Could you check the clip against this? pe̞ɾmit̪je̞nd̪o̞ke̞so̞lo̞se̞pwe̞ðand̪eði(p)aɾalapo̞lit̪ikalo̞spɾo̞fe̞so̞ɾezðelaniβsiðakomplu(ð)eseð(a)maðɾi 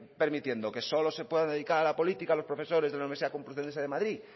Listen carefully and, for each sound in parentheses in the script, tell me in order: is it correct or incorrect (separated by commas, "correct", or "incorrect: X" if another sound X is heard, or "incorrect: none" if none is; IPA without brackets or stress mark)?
incorrect: k, incorrect: θ, incorrect: e